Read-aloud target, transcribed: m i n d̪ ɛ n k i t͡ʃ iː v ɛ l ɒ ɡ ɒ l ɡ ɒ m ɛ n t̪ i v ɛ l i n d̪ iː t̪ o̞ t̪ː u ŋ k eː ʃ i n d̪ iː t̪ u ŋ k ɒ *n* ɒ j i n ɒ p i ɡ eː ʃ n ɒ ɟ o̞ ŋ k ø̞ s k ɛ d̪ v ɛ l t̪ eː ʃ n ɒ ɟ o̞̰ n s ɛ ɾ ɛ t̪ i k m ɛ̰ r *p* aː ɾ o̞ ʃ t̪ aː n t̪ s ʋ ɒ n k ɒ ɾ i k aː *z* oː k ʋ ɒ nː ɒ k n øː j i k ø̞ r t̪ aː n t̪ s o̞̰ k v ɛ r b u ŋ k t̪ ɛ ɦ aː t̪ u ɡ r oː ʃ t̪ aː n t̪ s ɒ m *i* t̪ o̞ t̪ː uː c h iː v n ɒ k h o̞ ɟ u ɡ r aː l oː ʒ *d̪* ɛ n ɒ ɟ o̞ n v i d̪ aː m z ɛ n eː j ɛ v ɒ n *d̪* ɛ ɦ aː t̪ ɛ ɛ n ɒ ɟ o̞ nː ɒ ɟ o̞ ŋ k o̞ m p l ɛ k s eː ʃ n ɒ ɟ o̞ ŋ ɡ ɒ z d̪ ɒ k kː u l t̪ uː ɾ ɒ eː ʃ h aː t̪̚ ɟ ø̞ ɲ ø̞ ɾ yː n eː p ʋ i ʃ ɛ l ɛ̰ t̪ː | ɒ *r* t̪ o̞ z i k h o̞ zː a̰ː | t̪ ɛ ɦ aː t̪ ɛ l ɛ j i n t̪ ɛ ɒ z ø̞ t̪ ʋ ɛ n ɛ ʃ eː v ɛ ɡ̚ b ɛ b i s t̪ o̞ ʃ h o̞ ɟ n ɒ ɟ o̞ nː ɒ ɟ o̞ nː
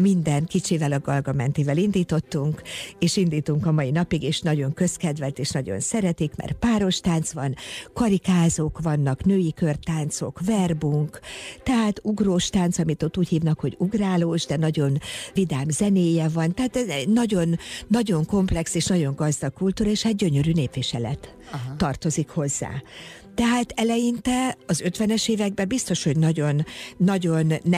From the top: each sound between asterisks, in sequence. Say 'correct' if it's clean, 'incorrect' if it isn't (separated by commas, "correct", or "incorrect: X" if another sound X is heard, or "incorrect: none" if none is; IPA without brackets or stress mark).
incorrect: m, correct, correct, correct, correct, incorrect: t̪, correct